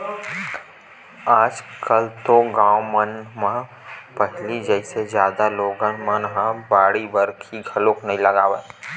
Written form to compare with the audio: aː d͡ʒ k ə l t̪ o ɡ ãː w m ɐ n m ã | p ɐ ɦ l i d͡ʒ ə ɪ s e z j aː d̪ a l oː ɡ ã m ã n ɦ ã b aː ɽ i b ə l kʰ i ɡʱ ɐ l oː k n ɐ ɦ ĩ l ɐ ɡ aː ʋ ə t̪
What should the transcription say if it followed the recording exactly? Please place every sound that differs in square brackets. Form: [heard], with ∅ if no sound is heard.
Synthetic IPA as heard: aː d͡ʒ k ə l t̪ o ɡ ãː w m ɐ n m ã | p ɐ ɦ l i d͡ʒ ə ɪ s e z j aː d̪ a l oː ɡ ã m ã n ɦ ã b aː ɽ i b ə [ɾ] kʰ i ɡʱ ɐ l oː k n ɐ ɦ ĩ l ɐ ɡ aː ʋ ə t̪